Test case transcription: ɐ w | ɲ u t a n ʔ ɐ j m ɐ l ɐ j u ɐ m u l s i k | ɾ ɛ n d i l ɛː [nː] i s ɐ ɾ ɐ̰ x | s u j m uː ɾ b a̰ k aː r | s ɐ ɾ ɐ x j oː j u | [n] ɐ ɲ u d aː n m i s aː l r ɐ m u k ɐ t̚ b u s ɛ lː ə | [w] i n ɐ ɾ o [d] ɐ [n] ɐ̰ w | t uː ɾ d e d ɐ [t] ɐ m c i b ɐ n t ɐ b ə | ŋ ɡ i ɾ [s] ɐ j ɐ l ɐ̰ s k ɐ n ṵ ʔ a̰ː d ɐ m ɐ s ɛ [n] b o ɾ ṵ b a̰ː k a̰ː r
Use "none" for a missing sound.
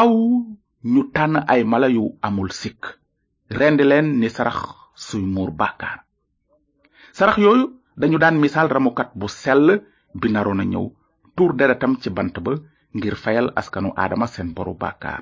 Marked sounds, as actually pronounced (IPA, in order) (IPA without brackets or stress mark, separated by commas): nː, d, b, n, ɲ, t, f, n